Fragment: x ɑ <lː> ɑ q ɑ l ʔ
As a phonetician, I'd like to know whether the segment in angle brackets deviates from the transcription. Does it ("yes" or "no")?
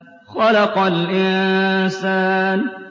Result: yes